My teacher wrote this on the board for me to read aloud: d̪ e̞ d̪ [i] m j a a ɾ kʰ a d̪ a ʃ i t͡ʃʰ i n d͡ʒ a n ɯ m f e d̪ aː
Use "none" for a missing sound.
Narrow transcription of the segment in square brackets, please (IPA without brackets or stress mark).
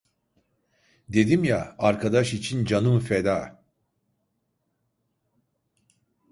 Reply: i